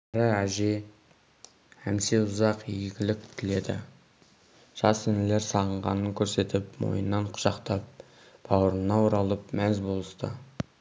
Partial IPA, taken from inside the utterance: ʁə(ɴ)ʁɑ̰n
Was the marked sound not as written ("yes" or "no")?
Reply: no